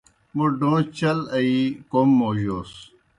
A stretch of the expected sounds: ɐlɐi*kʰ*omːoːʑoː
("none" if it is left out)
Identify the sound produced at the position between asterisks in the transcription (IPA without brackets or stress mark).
k